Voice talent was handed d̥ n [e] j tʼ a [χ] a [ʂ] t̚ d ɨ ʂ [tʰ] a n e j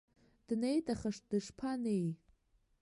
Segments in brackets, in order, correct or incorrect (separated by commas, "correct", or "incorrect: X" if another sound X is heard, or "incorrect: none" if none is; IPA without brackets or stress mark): correct, correct, correct, incorrect: pʰ